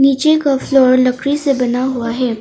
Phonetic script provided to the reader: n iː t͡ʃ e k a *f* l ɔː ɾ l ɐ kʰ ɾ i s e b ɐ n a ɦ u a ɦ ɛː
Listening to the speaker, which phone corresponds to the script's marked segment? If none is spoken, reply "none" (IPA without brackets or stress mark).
f